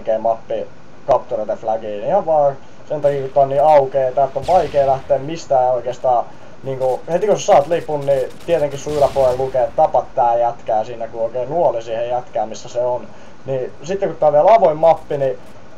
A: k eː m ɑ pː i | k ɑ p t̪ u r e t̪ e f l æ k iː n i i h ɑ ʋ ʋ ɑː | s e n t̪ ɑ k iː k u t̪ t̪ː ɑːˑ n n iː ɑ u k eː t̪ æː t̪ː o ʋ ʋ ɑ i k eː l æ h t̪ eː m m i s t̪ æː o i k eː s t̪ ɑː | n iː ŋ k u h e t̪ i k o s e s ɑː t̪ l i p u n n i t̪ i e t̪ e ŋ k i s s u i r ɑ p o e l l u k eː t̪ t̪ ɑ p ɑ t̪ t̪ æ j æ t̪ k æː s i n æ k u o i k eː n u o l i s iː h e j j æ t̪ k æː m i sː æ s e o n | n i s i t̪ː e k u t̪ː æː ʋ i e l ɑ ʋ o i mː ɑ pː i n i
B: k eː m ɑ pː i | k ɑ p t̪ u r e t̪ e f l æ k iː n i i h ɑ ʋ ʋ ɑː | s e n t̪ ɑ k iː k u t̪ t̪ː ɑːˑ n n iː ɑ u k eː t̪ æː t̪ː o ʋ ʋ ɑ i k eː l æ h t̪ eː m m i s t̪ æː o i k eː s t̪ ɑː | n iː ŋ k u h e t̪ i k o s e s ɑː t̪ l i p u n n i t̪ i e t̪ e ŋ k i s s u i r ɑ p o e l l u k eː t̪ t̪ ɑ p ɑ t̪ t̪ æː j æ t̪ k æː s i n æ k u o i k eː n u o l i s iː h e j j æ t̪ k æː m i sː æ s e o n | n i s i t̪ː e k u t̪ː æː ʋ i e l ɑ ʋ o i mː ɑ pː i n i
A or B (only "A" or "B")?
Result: B